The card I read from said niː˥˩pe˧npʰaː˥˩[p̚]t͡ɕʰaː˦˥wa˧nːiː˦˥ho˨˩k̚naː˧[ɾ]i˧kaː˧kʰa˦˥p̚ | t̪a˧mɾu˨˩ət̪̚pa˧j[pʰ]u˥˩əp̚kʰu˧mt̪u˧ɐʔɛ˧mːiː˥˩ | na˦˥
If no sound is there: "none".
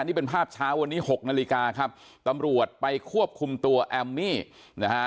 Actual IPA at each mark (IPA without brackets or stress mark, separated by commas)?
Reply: p̚, l, kʰ